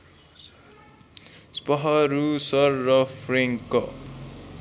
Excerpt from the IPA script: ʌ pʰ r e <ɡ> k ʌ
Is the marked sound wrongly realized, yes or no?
yes